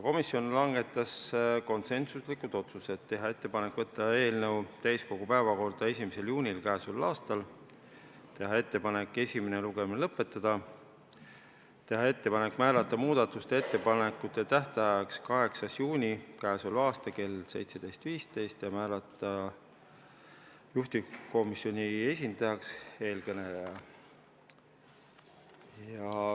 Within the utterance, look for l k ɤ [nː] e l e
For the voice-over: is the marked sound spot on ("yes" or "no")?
no